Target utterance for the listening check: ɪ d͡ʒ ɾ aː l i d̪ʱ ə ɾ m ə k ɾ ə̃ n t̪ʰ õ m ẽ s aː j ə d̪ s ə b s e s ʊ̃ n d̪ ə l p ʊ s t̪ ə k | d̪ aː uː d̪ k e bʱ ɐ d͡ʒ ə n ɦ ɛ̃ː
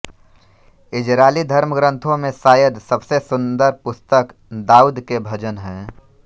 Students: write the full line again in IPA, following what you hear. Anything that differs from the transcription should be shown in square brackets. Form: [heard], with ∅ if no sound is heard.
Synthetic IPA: ɪ d͡ʒ ɾ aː l i d̪ʱ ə ɾ m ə [ɡ] ɾ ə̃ n t̪ʰ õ m ẽ s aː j ə d̪ s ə b s e s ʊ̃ n d̪ ə [ɾ] p ʊ s t̪ ə k | d̪ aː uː d̪ k e bʱ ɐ d͡ʒ ə n ɦ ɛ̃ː